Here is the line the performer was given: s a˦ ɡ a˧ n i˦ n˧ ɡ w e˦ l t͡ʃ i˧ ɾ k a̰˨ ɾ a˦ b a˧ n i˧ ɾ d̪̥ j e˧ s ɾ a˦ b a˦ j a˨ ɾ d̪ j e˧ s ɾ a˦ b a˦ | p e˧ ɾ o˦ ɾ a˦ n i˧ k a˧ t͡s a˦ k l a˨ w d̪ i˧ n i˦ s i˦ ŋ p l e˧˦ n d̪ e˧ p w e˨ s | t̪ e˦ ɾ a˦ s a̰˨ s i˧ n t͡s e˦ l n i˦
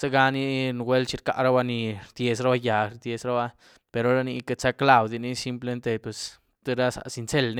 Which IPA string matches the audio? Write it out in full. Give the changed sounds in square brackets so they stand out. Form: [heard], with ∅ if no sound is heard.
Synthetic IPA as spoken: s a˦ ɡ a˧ n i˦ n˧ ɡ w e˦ l t͡ʃ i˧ ɾ k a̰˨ ɾ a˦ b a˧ n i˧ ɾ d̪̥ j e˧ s ɾ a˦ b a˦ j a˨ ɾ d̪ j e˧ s ɾ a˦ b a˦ | p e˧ ɾ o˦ ɾ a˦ n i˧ k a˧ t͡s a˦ k l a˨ w d̪ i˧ n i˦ s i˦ [m] p l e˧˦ n [t̪] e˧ p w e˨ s | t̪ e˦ ɾ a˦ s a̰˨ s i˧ n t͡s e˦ l n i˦